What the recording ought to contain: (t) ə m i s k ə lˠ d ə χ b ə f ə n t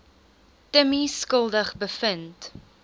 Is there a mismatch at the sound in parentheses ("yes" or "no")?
no